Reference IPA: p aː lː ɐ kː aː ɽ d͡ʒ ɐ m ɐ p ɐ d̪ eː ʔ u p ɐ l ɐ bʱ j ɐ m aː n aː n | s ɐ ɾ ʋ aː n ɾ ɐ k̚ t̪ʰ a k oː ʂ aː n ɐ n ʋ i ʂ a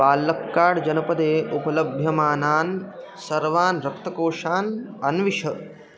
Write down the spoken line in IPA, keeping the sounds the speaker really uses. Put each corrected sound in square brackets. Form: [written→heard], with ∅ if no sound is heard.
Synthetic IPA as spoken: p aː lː ɐ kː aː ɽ d͡ʒ ɐ [m→n] ɐ p ɐ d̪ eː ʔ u p ɐ l ɐ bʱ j ɐ m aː n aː n | s ɐ ɾ ʋ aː n ɾ ɐ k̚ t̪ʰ [a→ɐ] k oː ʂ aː n ɐ n ʋ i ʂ [a→ɐ]

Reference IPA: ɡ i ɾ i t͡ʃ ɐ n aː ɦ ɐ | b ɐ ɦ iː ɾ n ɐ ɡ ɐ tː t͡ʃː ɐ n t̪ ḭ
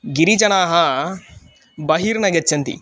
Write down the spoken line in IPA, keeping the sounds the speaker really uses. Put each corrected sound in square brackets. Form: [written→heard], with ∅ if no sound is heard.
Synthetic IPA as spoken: ɡ i ɾ i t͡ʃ ɐ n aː ɦ ɐ | b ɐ ɦ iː ɾ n ɐ ɡ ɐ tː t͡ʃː ɐ n t̪ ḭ

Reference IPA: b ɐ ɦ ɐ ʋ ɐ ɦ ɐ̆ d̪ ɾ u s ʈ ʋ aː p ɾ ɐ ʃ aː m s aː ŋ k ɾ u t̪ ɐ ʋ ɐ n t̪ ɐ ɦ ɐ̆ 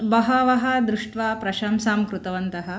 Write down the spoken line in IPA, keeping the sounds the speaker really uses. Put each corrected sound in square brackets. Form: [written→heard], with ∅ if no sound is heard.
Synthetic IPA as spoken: b ɐ ɦ ɐ ʋ ɐ ɦ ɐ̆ d̪ ɾ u [s→ʂ] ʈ ʋ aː p ɾ ɐ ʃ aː m s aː [ŋ→m] k ɾ u t̪ ɐ ʋ ɐ n t̪ ɐ ɦ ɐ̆

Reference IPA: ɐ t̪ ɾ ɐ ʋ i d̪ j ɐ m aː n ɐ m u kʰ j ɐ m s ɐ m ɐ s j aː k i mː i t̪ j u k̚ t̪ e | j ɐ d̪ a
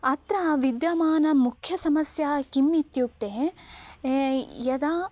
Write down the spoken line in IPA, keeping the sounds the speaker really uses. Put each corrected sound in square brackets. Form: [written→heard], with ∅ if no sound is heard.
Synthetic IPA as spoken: ɐ t̪ ɾ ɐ ʋ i d̪ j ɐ m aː n ɐ m u kʰ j ɐ [m→∅] s ɐ m ɐ s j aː k i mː i t̪ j u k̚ t̪ e | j ɐ d̪ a

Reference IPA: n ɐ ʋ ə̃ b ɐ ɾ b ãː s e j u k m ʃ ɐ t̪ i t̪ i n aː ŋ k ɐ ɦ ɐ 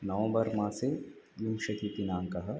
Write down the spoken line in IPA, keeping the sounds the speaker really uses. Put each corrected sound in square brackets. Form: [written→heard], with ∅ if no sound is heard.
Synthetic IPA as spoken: n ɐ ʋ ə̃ b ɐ ɾ [b→m] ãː s e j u [k→∅] m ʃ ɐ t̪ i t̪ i n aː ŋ k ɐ ɦ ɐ

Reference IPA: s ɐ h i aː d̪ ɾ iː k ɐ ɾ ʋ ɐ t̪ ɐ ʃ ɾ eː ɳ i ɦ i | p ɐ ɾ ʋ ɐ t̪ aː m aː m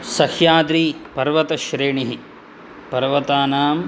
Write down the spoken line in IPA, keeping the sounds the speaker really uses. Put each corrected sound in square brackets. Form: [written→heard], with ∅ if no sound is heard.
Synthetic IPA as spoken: s ɐ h [i→j] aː d̪ ɾ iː [k→p] ɐ ɾ ʋ ɐ t̪ ɐ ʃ ɾ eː ɳ i ɦ i | p ɐ ɾ ʋ ɐ t̪ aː [m→n] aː m

